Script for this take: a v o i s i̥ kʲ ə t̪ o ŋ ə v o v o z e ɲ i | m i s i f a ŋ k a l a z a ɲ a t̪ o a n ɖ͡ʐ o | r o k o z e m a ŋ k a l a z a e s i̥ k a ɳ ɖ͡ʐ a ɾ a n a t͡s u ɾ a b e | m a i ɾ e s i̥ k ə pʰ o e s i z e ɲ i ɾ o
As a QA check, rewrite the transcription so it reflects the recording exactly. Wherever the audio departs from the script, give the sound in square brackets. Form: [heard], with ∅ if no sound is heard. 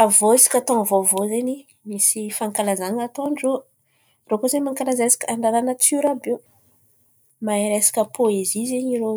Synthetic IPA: a v o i s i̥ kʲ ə t̪ o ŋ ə v o v o z e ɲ i | m i s i f a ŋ k a l a z a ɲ a t̪ o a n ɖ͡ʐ o | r o k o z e m a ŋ k a l a z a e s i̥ k a ɳ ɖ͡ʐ a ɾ a n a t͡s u ɾ a b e | m a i ɾ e s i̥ k ə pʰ o e [z] i z e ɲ i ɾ o